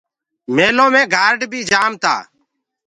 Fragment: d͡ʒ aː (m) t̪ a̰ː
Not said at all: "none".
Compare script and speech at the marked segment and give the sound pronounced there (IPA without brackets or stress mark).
m